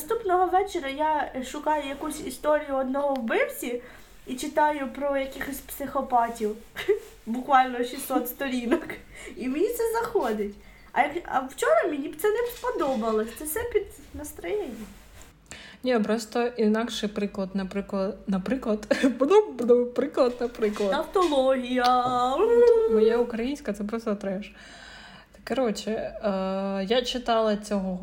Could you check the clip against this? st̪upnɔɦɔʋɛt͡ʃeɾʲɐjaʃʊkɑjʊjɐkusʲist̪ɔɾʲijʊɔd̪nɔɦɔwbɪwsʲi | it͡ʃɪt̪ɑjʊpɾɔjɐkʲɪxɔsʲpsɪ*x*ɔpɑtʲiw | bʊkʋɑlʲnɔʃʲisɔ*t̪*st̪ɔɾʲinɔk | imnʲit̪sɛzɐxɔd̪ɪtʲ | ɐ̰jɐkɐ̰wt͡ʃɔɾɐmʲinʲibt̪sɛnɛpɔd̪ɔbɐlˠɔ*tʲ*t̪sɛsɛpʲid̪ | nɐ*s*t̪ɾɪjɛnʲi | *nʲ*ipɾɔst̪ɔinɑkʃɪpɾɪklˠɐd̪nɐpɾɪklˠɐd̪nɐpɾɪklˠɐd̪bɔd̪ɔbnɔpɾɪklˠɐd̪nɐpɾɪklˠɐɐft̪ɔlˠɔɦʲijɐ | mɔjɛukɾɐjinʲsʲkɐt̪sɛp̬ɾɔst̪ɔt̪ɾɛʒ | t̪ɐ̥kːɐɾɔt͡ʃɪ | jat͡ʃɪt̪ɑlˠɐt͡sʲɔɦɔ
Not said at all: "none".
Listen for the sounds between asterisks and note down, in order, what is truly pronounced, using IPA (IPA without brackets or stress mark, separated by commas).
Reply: x, t̪, sʲ, s, nʲ